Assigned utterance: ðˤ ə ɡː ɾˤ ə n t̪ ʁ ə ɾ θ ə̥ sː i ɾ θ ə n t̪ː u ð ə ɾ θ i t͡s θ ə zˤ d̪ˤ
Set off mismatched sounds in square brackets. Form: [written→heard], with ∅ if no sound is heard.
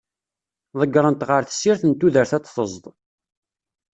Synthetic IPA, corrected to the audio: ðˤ ə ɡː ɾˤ ə n t̪ ʁ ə ɾ θ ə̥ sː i ɾ θ ə n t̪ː u ð ə ɾ θ [i→æ] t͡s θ ə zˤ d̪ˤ